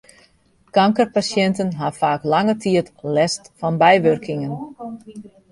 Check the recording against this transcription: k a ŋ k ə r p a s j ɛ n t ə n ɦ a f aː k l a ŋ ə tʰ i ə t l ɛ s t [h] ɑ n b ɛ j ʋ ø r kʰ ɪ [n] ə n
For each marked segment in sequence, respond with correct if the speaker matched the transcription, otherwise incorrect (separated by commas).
incorrect, incorrect